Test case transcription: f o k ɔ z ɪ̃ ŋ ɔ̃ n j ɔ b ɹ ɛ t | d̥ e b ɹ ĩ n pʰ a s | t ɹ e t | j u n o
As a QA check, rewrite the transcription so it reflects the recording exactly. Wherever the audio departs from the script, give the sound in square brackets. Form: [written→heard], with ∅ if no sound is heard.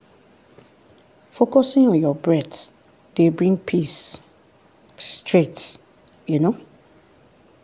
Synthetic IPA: f o k ɔ [z→s] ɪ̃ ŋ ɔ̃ n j ɔ b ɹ ɛ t | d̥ e b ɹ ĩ [n→ŋ] pʰ [a→i] s | t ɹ e t | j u n o